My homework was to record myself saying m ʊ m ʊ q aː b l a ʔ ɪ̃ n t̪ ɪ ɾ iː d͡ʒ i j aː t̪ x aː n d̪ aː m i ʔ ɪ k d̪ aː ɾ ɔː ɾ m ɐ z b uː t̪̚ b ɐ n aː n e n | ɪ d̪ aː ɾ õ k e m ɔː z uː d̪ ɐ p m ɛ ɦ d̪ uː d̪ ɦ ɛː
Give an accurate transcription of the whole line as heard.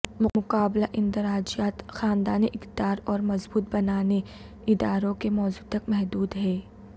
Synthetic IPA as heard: m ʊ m ʊ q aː b l a ʔ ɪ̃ n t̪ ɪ ɾ aː d͡ʒ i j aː t̪ x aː n d̪ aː n i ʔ ɪ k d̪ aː ɾ ɔː ɾ m ɐ z b uː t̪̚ b ɐ n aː n e | ɪ d̪ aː ɾ õ k e m ɔː z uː t̪ ɐ k m ɛ ɦ d̪ uː d̪ ɦ ɛː